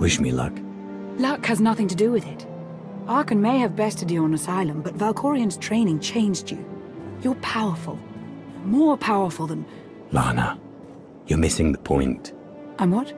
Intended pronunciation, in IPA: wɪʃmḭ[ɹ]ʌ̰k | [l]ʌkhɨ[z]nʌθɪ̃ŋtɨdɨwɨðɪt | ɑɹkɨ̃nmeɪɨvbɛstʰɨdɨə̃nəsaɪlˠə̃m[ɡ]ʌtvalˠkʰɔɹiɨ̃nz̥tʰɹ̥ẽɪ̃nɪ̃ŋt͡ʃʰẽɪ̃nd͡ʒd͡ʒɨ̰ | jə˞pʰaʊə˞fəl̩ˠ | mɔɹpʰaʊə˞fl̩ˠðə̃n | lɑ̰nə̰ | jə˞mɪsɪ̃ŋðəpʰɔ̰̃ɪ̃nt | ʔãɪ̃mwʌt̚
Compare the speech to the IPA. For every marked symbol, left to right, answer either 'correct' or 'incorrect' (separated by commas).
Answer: incorrect, correct, correct, incorrect